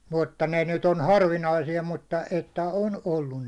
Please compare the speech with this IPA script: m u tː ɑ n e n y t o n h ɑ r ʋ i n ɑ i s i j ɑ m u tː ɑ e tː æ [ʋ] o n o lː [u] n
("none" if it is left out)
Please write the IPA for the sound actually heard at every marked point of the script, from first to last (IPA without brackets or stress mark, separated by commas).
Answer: none, u